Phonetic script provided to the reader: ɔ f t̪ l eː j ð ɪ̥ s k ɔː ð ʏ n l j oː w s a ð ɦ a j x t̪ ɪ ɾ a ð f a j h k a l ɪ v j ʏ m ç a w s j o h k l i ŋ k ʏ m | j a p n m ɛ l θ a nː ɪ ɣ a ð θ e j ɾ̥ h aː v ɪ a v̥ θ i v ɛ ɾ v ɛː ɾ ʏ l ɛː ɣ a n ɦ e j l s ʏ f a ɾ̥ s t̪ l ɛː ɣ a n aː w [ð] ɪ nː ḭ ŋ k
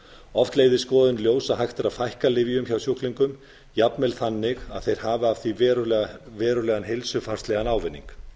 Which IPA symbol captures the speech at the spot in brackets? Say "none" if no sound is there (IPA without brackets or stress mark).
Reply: v